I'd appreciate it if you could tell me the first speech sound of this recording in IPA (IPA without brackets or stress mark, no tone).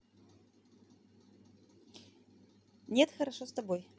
nʲ